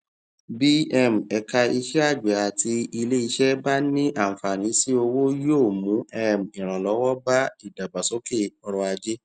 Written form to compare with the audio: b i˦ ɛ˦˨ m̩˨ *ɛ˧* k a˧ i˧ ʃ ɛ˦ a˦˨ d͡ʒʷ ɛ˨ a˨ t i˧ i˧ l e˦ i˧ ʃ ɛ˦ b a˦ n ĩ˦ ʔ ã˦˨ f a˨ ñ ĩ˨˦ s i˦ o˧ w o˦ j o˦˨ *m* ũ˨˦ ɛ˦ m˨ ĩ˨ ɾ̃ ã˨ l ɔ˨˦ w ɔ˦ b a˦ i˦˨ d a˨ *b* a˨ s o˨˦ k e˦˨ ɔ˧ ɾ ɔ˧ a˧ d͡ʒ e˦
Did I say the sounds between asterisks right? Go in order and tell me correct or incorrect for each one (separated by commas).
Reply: correct, correct, correct